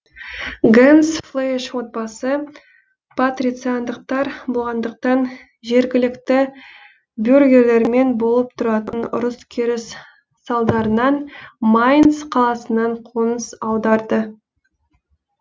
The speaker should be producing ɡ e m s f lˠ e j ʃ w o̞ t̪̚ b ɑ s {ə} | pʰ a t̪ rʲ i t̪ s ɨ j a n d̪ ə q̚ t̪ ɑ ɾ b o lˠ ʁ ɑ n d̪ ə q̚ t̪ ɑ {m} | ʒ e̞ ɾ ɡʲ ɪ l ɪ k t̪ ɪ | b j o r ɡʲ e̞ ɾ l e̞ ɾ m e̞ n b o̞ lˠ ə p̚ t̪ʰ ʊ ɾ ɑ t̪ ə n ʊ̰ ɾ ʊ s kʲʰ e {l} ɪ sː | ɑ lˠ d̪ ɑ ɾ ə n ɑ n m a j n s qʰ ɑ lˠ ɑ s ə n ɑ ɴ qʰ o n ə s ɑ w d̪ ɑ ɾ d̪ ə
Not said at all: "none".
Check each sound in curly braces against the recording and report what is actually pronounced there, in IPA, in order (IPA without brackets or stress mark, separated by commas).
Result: ə, n, ɾ